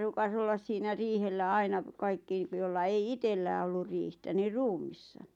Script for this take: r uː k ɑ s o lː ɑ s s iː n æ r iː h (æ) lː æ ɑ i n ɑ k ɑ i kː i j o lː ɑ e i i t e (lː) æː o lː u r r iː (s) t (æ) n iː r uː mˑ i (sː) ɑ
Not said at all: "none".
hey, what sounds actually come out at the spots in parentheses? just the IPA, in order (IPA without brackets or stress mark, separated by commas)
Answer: e, lː, h, æ, sː